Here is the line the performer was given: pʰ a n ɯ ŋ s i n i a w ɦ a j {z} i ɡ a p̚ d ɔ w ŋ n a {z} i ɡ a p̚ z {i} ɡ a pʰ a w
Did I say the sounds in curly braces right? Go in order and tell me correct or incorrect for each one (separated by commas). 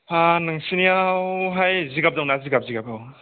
correct, correct, correct